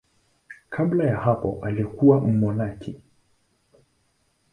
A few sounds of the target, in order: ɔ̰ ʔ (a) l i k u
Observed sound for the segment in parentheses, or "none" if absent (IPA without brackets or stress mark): a